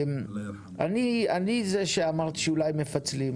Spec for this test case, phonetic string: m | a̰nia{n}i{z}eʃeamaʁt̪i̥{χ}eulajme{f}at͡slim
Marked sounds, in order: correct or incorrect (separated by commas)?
correct, correct, incorrect, correct